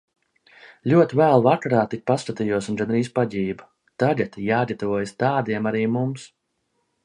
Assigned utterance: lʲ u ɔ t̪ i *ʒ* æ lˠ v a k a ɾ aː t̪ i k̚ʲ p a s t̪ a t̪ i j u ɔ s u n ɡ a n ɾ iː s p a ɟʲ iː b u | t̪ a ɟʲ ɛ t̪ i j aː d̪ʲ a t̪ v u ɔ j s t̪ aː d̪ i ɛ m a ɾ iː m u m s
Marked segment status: incorrect: v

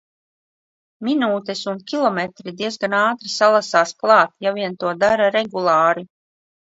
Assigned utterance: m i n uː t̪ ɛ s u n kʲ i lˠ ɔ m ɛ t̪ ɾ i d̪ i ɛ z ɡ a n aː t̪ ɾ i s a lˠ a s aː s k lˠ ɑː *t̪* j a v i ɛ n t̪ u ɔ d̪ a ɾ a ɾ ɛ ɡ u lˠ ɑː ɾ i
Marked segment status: correct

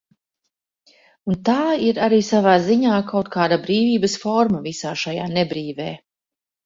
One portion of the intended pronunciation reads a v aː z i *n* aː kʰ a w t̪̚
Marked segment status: incorrect: ɲ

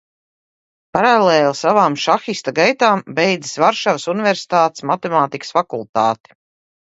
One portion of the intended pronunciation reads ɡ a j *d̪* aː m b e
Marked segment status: incorrect: t̪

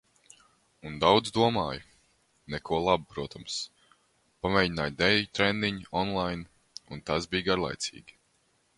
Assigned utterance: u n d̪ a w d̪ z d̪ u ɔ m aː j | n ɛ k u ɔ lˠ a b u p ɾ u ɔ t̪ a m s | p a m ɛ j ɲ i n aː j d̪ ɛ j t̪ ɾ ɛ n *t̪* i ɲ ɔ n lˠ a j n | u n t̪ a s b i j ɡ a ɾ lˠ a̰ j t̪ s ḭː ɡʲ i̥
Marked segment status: incorrect: d̪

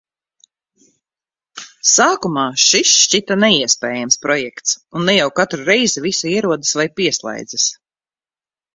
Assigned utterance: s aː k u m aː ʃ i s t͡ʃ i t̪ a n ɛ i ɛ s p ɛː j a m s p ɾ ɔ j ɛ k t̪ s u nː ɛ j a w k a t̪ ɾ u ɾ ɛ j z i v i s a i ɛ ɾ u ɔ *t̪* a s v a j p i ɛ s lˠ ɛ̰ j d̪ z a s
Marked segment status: incorrect: d̪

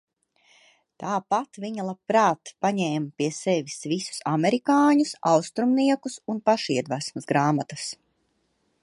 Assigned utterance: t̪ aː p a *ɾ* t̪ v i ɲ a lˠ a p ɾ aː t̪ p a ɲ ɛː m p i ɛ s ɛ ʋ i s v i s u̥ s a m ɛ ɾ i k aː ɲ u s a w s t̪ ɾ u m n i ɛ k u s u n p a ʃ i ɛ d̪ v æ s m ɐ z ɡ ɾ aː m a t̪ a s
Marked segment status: incorrect: none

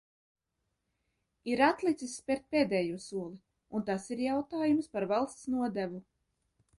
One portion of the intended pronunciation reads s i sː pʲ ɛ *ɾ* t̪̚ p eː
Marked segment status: correct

